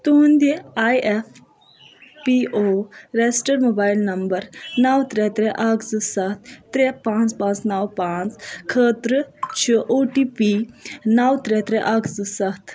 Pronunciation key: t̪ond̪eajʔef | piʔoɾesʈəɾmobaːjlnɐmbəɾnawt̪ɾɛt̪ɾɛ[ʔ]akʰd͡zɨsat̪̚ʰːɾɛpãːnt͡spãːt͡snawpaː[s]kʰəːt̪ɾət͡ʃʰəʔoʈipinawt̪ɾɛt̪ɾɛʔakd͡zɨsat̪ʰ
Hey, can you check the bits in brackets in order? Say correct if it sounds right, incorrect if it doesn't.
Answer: correct, incorrect: t͡s

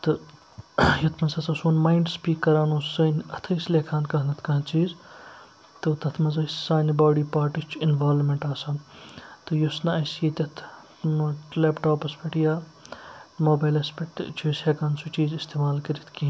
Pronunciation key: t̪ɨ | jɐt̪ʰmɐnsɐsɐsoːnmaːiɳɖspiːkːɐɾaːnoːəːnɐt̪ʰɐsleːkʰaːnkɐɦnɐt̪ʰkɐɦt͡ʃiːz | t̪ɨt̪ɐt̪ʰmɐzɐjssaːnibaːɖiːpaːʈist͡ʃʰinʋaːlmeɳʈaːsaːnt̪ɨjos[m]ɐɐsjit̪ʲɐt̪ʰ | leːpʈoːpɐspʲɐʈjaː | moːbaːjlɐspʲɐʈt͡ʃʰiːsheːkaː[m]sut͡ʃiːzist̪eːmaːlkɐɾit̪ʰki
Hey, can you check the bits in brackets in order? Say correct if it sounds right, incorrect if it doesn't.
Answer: incorrect: n, incorrect: n

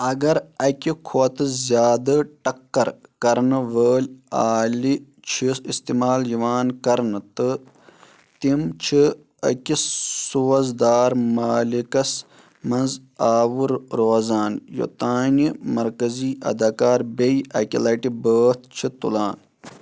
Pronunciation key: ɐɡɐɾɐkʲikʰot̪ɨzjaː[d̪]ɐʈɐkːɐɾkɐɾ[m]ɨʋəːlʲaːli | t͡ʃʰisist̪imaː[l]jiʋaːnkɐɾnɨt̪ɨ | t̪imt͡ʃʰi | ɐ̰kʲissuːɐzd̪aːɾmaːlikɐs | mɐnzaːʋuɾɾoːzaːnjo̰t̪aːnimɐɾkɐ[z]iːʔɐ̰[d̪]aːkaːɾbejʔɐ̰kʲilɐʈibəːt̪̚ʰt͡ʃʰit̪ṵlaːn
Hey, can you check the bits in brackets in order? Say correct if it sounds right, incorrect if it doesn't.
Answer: correct, incorrect: n, correct, correct, correct

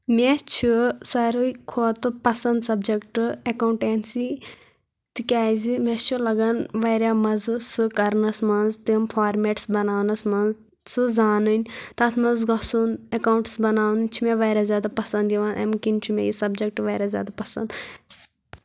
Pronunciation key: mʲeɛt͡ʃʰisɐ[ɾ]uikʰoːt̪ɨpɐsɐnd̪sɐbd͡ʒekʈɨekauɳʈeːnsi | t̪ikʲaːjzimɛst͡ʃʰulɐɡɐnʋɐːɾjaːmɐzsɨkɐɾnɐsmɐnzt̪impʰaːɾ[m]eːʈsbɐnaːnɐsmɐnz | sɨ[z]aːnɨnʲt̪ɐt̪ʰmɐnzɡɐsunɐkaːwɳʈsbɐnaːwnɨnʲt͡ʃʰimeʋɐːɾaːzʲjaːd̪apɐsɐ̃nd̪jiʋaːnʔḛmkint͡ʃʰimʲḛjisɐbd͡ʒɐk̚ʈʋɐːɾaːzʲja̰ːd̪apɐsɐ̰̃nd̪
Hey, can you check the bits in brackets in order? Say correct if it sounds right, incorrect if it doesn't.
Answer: correct, correct, correct

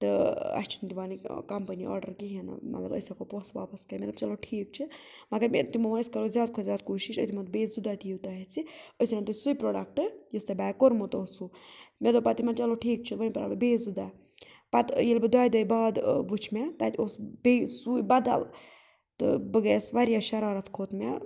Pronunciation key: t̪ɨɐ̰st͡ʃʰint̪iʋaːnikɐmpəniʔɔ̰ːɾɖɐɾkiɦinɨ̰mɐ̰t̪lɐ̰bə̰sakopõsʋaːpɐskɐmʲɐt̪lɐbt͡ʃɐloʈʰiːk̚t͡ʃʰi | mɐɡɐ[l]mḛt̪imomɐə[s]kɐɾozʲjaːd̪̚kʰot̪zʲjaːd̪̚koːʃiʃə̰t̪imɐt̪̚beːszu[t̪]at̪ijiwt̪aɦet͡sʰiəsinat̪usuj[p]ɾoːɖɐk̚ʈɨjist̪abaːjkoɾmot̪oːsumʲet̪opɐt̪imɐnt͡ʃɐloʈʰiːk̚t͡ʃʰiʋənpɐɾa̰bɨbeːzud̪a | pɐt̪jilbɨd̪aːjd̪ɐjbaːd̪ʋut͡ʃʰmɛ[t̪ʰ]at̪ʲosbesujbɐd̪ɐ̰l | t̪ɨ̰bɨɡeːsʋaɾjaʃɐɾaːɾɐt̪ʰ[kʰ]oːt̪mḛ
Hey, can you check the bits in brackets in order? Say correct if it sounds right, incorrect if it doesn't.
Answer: incorrect: ɾ, correct, incorrect: d̪, correct, incorrect: t̪, correct

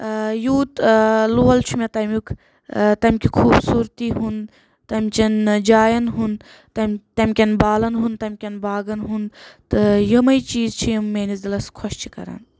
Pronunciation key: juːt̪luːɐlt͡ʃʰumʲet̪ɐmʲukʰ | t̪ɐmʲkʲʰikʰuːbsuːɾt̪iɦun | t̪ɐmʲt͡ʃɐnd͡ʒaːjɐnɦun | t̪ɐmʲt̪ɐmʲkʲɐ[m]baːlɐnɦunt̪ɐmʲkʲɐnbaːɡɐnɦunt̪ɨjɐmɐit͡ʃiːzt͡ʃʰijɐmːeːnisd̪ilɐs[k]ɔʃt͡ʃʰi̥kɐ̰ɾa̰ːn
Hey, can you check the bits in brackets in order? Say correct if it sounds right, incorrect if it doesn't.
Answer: incorrect: n, incorrect: kʰ

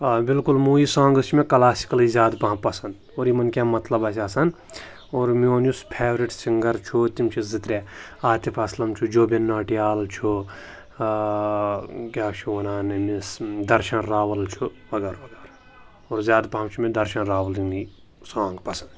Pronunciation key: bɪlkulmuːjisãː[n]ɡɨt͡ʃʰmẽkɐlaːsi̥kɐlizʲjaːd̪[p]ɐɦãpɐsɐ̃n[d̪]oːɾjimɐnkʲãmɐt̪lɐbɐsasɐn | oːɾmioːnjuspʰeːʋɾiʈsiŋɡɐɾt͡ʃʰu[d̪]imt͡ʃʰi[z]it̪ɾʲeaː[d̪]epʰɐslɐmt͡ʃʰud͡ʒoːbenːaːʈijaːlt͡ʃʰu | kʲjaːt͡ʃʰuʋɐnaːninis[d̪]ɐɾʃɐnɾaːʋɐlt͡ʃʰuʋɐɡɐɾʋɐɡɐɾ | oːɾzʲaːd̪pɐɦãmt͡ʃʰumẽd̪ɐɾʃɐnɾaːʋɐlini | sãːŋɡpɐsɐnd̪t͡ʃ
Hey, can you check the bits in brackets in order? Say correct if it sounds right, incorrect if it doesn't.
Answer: incorrect: ŋ, correct, correct, incorrect: t̪, correct, incorrect: t̪, correct

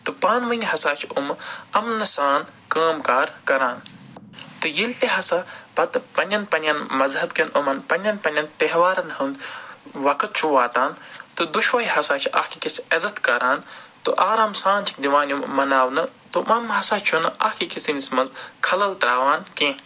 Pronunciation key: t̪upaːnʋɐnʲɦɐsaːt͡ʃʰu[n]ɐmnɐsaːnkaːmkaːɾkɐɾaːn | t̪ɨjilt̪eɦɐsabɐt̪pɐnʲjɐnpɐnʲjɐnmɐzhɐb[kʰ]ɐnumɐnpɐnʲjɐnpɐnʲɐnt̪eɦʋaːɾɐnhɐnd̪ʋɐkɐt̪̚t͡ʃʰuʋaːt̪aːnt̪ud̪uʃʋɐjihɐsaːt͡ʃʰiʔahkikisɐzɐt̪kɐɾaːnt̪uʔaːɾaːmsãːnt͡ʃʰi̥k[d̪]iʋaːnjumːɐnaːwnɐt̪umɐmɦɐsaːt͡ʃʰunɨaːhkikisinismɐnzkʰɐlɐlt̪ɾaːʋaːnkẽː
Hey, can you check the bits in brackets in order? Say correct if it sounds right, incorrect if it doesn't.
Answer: incorrect: m, incorrect: k, correct

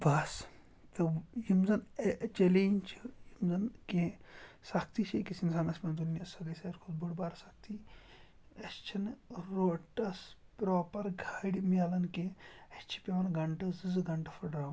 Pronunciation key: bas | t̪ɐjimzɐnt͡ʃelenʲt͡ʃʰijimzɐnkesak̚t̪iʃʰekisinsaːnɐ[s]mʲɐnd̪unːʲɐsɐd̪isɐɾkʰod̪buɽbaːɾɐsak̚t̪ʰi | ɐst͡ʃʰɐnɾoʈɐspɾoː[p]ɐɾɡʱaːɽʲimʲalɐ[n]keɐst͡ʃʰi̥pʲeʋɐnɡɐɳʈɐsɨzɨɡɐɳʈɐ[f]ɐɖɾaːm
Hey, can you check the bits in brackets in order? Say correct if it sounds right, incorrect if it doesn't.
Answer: correct, correct, correct, correct

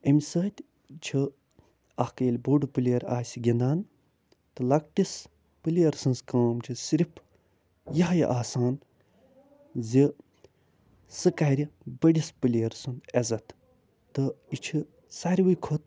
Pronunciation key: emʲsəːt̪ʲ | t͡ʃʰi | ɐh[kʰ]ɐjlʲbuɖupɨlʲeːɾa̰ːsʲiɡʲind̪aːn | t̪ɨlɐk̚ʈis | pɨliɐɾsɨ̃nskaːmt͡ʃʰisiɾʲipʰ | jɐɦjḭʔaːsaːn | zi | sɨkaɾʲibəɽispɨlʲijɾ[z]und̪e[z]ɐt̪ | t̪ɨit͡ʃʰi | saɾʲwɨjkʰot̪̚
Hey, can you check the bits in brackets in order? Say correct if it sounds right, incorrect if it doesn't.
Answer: incorrect: k, incorrect: s, correct

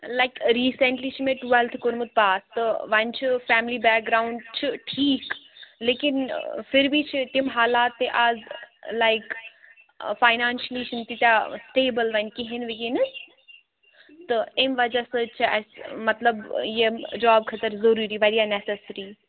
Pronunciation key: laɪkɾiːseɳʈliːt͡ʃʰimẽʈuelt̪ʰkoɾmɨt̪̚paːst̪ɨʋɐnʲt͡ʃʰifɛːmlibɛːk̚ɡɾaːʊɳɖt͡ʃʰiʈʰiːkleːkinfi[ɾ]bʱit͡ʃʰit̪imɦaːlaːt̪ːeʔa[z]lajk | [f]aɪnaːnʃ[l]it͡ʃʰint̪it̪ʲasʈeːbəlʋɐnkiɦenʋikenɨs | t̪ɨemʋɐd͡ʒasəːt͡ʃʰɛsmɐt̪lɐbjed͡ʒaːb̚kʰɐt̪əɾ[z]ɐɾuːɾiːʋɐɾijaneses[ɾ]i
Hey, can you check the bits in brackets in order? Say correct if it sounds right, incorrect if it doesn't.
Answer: correct, correct, correct, correct, correct, correct

